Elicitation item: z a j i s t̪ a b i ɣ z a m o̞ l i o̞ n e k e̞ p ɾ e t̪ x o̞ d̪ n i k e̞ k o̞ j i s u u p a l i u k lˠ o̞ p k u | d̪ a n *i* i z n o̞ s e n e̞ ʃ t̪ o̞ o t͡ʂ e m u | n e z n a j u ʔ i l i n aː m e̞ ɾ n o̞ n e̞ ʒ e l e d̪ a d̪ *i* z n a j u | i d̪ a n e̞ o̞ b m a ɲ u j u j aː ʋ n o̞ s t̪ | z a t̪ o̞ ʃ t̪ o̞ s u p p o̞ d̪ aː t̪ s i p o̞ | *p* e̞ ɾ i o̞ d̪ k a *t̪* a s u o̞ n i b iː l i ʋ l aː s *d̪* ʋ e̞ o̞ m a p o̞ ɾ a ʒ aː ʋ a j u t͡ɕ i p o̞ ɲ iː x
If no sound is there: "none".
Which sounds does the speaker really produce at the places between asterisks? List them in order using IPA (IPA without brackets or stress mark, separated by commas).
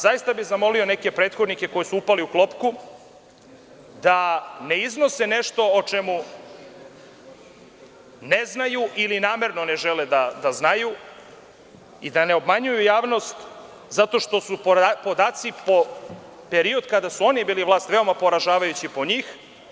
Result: e, a, p, d̪, t̪